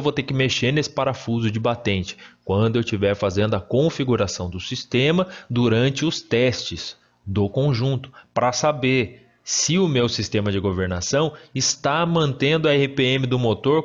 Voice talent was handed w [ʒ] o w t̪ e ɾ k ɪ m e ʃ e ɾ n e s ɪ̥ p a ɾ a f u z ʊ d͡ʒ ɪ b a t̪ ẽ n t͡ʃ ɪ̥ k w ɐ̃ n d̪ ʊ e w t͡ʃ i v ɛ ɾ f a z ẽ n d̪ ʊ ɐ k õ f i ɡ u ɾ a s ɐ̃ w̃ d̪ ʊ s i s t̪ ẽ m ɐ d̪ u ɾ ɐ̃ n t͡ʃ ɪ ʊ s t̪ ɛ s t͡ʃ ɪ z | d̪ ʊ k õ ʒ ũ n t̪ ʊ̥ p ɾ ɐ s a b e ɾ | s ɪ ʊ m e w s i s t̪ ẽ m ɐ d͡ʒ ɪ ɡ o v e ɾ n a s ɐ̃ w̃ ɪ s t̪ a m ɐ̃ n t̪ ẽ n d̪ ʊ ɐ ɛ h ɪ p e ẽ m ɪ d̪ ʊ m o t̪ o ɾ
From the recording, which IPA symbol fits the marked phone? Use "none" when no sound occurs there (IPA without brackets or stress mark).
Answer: v